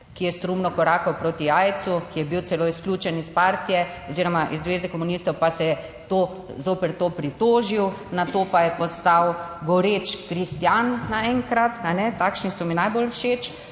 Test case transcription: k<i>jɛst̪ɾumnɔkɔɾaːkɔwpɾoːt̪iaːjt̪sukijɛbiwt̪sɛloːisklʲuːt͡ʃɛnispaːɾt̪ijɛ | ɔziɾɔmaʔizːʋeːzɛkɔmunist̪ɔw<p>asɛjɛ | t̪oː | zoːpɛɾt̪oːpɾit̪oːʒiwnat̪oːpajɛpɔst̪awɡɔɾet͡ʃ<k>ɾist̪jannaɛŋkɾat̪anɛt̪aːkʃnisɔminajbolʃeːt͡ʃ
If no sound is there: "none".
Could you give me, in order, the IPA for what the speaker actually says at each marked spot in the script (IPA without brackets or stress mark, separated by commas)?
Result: i, p, k